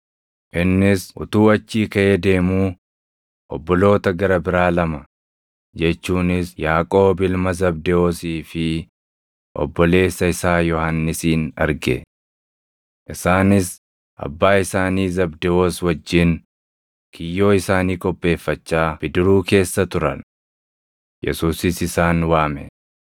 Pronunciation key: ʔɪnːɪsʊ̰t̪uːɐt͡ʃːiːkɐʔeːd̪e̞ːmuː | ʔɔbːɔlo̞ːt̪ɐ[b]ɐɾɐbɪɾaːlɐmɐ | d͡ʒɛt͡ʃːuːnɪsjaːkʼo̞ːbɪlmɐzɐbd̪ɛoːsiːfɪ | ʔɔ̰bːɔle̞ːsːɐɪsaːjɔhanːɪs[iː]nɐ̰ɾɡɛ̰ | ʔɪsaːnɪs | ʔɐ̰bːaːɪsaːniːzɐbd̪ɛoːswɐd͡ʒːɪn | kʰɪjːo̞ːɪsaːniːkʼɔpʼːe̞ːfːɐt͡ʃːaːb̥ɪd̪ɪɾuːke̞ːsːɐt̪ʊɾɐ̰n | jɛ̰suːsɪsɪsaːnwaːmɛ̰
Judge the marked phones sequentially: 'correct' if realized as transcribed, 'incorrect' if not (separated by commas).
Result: incorrect, correct